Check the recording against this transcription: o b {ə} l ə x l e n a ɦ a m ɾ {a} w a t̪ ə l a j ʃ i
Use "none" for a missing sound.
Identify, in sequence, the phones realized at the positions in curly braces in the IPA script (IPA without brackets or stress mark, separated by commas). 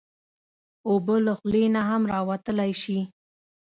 ə, ɑ